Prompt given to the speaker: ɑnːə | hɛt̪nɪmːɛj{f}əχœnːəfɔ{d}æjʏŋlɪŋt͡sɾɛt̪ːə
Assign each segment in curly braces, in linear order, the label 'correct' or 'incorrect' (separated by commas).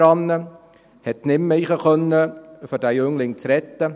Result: incorrect, correct